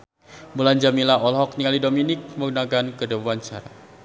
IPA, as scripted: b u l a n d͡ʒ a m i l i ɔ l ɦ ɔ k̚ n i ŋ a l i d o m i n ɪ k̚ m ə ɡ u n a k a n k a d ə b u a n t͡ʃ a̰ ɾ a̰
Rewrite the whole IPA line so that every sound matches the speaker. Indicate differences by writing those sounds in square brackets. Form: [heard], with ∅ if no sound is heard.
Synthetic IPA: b u l a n d͡ʒ a m i l [a] ɔ l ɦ ɔ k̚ n i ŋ a l i d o m i n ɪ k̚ m ə ɡ u n a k a n k [ə] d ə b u a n t͡ʃ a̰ ɾ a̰